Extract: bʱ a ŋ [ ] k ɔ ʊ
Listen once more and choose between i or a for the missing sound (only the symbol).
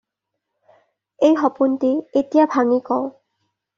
i